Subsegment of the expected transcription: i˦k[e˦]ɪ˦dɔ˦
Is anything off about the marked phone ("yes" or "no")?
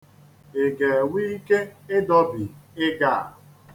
no